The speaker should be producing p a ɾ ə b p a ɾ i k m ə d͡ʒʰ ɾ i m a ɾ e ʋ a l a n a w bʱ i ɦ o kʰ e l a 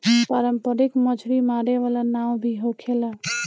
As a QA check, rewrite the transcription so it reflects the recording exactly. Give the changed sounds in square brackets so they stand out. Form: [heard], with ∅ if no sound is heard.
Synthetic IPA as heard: p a ɾ ə [m] p [ə] ɾ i k m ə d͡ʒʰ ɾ i m a ɾ e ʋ a l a n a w bʱ i ɦ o kʰ e l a